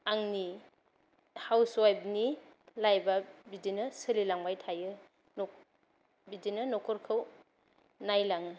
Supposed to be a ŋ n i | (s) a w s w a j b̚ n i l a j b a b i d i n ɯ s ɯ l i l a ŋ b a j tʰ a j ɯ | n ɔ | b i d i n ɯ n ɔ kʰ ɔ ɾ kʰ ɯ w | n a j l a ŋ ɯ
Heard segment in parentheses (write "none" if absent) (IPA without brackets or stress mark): h